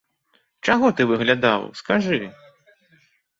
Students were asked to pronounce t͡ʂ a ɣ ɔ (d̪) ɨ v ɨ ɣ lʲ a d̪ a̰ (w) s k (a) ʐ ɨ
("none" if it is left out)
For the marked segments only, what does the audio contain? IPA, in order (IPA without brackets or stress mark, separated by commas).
t̪, w, a